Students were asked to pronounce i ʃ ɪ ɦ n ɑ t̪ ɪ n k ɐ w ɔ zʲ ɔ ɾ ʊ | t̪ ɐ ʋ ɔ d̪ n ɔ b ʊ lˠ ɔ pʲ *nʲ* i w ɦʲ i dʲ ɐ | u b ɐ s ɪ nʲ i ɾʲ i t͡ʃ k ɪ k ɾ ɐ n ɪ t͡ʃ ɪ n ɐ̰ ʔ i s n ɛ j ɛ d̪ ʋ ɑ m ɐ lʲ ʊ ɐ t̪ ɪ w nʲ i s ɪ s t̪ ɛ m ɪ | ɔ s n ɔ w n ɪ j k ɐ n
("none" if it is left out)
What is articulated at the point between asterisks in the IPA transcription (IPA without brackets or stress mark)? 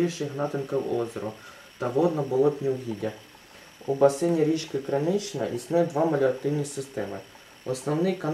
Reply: nʲ